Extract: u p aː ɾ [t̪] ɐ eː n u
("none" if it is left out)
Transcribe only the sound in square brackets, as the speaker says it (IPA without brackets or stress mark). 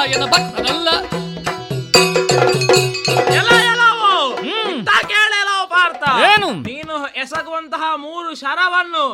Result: t̪